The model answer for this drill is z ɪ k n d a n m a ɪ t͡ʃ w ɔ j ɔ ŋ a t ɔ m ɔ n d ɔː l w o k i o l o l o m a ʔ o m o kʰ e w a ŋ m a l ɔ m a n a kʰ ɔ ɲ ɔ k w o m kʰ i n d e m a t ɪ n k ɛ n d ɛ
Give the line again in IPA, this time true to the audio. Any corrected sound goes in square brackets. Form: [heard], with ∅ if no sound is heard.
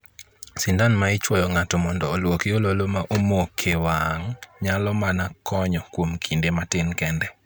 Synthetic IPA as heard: [s] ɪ [∅] n d a n m a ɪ t͡ʃ w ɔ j ɔ ŋ a t ɔ m ɔ n d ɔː l w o k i o l o l o m a ʔ o m o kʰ e w a ŋ [ɲ] a l ɔ m a n a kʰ ɔ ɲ ɔ k w o m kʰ i n d e m a t ɪ n k ɛ n d ɛ

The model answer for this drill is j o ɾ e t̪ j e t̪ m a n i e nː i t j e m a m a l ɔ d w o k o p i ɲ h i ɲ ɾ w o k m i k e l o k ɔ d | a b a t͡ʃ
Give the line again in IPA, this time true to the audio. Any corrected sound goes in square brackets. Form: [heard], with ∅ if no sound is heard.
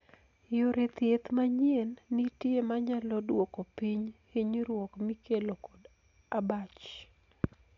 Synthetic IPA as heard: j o ɾ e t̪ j e t̪ m a [ɲ] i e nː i t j e m a [ɲ] a l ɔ d w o k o p i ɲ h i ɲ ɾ w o k m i k e l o k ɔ d | a b a t͡ʃ

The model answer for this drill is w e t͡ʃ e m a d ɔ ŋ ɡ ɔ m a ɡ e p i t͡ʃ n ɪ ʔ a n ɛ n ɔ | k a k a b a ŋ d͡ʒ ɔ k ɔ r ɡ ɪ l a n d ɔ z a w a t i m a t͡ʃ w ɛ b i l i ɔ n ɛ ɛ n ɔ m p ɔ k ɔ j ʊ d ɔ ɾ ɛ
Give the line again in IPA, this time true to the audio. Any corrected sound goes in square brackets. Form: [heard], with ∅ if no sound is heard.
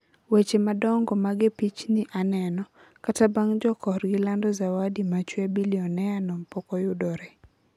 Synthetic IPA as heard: w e t͡ʃ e m a d ɔ ŋ ɡ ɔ m a ɡ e p i t͡ʃ n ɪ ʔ a n ɛ n ɔ | k a [t] a b a ŋ d͡ʒ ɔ k ɔ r ɡ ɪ l a n d ɔ z a w a [d] i m a t͡ʃ w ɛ b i l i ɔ n ɛ [a] n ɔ m p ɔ k ɔ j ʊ d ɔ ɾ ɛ

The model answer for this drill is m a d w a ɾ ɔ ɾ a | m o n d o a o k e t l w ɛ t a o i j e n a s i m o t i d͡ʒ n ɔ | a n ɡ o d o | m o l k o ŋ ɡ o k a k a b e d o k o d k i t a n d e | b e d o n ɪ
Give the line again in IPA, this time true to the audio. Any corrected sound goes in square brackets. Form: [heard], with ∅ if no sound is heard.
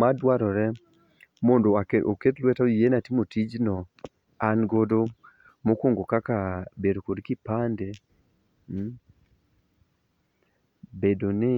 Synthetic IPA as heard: m a d w a ɾ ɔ ɾ [ɛ] | m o n d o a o k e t l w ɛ t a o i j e n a [t] i m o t i d͡ʒ n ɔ | a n ɡ o d o | m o [∅] k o ŋ ɡ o k a k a b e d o k o d k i [p] a n d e | b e d o n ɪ

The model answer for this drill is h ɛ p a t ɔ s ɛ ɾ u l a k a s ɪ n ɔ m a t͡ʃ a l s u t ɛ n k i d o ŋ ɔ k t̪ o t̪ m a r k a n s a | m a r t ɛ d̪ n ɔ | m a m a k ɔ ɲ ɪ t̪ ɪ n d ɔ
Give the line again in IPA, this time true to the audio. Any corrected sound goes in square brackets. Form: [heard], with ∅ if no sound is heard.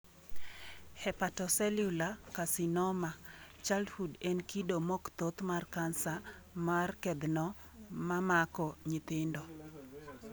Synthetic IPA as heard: h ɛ p a t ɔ s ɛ [l] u l a k a s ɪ n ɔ m a t͡ʃ a l [h] u [d] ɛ n k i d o [m] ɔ k t̪ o t̪ m a r k a n s a | m a r [k] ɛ d̪ n ɔ | m a m a k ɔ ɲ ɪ t̪ ɪ n d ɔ

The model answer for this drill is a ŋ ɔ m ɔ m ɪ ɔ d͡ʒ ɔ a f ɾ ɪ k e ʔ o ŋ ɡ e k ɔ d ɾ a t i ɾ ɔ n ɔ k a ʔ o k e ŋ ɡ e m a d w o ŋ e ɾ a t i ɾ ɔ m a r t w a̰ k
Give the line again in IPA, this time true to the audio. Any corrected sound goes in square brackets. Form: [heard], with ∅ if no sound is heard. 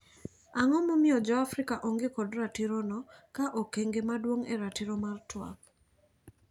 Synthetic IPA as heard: a ŋ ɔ m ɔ m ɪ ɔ d͡ʒ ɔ a f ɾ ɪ k [a] ʔ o ŋ ɡ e k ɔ d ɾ a t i ɾ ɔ n ɔ k a ʔ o k e ŋ ɡ e m a d w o ŋ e ɾ a t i ɾ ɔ m a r t w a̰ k

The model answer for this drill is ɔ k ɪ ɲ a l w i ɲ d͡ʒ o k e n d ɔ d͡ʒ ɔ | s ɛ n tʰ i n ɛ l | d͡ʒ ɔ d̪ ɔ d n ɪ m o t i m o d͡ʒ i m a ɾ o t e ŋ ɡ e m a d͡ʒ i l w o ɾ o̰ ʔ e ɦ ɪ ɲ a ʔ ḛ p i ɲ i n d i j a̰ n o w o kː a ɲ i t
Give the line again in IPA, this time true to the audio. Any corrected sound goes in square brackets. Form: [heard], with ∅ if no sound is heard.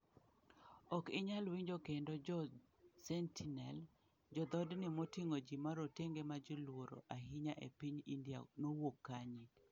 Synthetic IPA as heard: ɔ k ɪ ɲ a l w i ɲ d͡ʒ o k e n d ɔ d͡ʒ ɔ | s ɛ n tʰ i n ɛ l | d͡ʒ ɔ d̪ ɔ d n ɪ m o t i [ŋ] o d͡ʒ i m a ɾ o t e ŋ ɡ e m a d͡ʒ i l w o ɾ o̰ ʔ [a] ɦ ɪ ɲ a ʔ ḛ p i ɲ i n d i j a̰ n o w o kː a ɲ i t

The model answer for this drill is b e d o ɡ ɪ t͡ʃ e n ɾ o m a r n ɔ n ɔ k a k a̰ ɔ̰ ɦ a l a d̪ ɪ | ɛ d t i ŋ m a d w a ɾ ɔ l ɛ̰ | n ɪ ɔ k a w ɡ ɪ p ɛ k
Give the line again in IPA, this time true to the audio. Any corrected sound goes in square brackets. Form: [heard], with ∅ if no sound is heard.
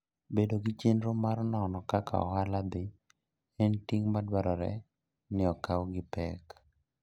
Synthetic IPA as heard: b e d o ɡ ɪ t͡ʃ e n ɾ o m a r n ɔ n ɔ k a k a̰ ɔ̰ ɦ a l a d̪ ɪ | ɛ [n] t i ŋ m a d w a ɾ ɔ [ɾ] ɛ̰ | n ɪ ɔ k a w ɡ ɪ p ɛ k

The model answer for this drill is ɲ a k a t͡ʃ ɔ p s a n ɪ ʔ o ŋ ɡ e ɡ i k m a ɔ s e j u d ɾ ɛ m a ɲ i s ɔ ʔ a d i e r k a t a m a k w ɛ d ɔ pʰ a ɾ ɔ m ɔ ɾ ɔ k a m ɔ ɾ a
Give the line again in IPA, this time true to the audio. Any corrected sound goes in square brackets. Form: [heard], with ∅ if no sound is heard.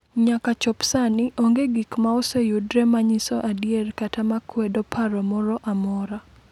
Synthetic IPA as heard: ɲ a k a t͡ʃ ɔ p s a n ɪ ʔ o ŋ ɡ e ɡ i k m a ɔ s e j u d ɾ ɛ m a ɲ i s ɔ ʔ a d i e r k a t a m a k w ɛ d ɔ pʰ a ɾ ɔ m ɔ ɾ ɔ [ʔ] a m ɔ ɾ a

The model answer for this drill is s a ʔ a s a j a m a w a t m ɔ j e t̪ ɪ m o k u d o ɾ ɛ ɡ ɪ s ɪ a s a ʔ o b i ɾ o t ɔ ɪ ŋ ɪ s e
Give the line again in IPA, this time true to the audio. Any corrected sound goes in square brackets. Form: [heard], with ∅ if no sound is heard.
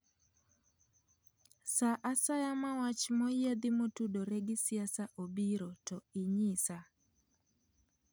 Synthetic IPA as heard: s a ʔ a s a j a m a w a [t͡ʃ] m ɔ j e [d̪] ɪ m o [t] u d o ɾ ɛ ɡ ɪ s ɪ a s a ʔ o b i ɾ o t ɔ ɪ [ɲ] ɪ s [a]

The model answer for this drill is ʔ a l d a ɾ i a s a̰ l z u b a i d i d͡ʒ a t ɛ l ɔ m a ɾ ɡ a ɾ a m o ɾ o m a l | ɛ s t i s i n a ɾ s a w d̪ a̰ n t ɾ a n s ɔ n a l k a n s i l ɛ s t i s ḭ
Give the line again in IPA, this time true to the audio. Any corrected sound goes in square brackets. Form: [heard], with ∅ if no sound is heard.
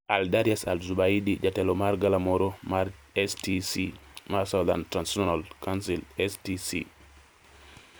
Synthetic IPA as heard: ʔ a l d a ɾ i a s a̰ l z u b a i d i d͡ʒ a t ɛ l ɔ m a ɾ ɡ a [l] a m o ɾ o m a [ɾ] | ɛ s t i s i [m] a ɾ s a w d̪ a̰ n t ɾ a n s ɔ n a l k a n s i l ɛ s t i s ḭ

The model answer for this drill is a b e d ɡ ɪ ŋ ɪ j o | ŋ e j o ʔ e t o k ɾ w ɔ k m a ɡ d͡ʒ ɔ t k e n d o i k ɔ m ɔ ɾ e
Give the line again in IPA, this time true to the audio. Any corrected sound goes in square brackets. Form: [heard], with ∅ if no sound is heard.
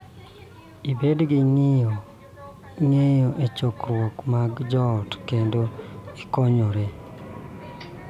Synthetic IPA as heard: [i] b e d ɡ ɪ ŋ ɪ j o | ŋ e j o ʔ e [t͡ʃ] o k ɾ w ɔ k m a ɡ d͡ʒ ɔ t k e n d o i k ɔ [ɲ] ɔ ɾ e

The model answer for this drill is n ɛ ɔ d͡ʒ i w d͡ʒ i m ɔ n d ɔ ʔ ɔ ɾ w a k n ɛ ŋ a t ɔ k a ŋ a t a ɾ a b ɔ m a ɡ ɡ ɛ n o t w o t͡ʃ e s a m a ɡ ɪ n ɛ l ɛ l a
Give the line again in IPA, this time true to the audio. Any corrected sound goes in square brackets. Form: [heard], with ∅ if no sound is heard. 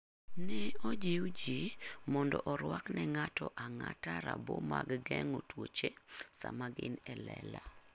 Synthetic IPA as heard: n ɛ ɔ d͡ʒ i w d͡ʒ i m ɔ n d ɔ ʔ ɔ ɾ w a k n ɛ ŋ a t ɔ [ʔ] a ŋ a t a ɾ a b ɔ m a ɡ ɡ ɛ [ŋ] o t w o t͡ʃ e s a m a ɡ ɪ n ɛ l ɛ l a

